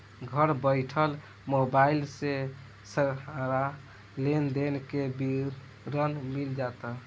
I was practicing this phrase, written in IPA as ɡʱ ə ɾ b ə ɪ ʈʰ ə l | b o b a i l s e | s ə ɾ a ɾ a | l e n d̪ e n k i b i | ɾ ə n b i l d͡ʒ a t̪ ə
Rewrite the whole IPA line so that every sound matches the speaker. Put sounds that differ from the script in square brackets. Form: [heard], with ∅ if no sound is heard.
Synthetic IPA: ɡʱ ə ɾ b ə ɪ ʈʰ ə l | [m] o b a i l s e | s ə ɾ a ɾ a | l e n d̪ e n k [e] b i | ɾ ə n [m] i l d͡ʒ a t̪ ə